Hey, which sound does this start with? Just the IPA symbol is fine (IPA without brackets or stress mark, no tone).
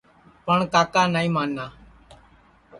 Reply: p